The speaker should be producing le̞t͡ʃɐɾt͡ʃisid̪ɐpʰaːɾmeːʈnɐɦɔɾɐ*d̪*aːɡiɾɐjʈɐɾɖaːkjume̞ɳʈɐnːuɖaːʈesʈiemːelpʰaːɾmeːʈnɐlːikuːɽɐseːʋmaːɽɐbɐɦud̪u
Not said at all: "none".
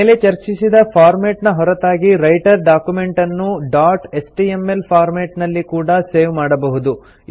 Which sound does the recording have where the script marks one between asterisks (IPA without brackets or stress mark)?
t̪